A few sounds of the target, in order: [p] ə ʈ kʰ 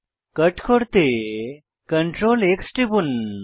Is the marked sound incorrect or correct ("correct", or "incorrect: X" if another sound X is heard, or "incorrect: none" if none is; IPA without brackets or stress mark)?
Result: incorrect: k